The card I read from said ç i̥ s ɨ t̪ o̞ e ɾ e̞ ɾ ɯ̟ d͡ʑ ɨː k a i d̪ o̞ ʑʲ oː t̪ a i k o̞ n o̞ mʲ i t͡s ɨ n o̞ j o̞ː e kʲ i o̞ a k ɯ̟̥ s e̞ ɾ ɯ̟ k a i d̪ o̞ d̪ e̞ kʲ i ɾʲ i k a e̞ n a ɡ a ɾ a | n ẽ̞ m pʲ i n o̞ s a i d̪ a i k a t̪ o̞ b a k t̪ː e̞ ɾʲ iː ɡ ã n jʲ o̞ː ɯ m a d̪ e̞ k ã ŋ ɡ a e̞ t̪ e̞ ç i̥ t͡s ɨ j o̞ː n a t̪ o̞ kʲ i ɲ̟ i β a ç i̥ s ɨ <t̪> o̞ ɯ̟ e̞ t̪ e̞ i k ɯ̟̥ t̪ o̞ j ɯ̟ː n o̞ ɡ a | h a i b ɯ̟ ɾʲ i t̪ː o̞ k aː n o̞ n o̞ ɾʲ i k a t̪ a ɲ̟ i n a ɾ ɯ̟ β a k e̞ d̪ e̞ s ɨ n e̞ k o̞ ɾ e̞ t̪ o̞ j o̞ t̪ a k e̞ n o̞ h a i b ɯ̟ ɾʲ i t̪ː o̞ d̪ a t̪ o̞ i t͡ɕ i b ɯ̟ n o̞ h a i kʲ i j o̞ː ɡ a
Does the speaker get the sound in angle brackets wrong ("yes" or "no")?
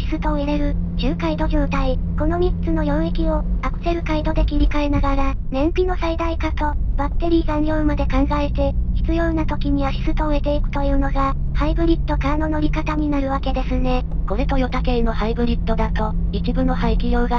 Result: no